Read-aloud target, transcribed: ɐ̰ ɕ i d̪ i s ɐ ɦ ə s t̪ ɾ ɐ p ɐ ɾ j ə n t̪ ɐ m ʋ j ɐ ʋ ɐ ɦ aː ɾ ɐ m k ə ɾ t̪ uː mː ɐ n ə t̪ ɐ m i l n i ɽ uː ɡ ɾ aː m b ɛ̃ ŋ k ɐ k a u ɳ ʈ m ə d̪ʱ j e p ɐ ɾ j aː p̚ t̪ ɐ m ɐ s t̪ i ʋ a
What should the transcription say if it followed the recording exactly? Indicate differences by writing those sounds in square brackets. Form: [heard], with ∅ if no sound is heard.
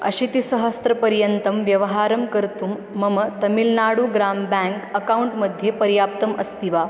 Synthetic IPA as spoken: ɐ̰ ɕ i [t̪] i s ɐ ɦ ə s t̪ ɾ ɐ p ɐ ɾ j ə n t̪ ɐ m ʋ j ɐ ʋ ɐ ɦ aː ɾ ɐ m k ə ɾ t̪ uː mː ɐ [m] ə t̪ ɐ m i l n [a] ɽ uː ɡ ɾ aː m b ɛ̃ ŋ k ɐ k a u ɳ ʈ m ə d̪ʱ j e p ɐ ɾ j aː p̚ t̪ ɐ m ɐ s t̪ i ʋ a